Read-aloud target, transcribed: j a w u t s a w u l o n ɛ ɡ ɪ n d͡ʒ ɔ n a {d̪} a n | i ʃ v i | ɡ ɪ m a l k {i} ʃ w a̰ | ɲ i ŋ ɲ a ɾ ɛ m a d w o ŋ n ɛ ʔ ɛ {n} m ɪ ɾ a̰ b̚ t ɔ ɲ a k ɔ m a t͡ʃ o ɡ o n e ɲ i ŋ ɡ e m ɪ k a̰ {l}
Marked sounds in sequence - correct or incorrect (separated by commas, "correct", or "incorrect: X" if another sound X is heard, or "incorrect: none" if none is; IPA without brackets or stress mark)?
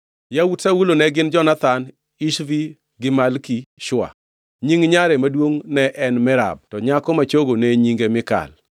incorrect: t̪, correct, correct, correct